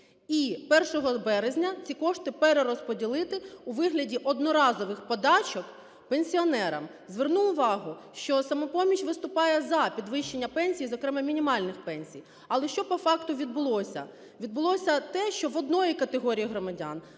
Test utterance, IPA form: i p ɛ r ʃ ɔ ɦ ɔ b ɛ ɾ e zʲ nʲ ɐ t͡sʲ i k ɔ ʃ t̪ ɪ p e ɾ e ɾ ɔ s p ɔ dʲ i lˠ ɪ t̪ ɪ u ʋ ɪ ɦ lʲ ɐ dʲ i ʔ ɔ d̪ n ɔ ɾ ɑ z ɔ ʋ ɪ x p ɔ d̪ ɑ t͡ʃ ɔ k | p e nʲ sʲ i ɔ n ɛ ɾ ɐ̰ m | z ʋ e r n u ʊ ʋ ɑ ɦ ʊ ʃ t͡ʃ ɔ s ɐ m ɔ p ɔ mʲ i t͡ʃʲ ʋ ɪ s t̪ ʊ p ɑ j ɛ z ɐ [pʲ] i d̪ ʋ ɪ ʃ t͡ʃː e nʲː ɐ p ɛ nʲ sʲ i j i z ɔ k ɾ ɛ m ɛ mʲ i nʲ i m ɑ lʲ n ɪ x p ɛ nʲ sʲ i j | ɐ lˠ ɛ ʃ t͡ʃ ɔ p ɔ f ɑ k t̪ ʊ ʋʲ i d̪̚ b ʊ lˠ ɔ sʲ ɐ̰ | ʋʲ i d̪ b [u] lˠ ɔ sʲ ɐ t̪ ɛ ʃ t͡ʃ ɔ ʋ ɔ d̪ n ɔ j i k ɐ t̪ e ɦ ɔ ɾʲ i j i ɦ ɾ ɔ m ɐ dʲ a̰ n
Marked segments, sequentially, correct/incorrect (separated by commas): correct, incorrect